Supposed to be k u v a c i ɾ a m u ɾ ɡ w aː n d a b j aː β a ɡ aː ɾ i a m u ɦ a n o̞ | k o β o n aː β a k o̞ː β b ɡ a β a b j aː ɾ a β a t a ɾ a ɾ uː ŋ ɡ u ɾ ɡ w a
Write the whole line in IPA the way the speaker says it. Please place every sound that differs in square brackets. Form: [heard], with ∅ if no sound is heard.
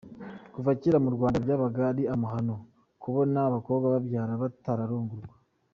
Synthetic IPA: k u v a c i ɾ a m u ɾ ɡ w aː n d a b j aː β a ɡ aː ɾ i a m u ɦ a n o̞ | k [u] β o n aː β a k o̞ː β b ɡ a β a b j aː ɾ a β a t a ɾ a ɾ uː ŋ ɡ u ɾ ɡ w a